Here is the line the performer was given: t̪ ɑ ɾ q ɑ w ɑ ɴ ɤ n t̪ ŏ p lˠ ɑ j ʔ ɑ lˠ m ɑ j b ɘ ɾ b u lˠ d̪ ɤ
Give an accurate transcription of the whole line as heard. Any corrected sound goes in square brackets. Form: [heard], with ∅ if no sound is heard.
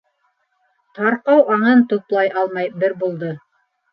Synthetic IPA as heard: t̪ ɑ ɾ q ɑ w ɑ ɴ ɤ n t̪ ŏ p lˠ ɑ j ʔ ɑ lˠ m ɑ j b ɘ ɾ b u lˠ d̪ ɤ